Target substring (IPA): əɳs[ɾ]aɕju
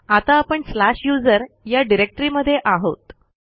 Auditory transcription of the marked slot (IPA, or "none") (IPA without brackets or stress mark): l